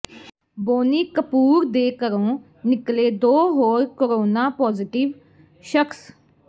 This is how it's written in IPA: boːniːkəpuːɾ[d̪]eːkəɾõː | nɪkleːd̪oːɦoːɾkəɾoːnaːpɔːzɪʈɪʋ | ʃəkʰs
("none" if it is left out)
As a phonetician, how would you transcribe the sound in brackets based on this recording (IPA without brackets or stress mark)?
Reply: d̪